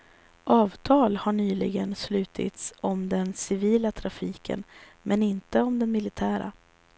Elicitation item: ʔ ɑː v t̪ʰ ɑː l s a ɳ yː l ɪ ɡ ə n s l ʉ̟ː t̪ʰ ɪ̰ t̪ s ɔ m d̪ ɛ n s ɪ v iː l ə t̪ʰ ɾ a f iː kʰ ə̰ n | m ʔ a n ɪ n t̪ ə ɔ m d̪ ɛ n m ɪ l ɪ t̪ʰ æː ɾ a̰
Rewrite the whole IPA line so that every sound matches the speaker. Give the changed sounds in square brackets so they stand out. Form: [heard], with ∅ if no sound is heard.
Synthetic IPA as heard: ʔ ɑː v t̪ʰ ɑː l [h] a ɳ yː l ɪ ɡ ə n s l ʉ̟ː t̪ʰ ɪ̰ t̪ s ɔ m d̪ ɛ n s ɪ v iː l [a] t̪ʰ ɾ a f iː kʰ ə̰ n | m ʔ [ɛ] n ɪ n t̪ ə ɔ m d̪ ɛ n m ɪ l ɪ t̪ʰ æː ɾ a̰